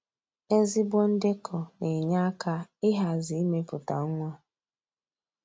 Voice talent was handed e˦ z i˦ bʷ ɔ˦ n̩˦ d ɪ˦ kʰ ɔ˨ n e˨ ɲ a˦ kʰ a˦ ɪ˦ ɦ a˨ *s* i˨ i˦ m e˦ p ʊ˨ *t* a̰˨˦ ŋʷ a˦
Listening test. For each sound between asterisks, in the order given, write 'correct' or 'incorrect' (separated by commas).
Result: incorrect, correct